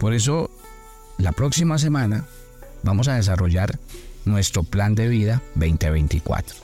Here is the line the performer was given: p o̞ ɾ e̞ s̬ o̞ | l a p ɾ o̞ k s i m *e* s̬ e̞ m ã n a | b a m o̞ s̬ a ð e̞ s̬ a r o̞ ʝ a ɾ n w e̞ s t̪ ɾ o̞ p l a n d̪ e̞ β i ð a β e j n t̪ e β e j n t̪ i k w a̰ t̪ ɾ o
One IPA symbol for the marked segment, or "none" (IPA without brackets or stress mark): a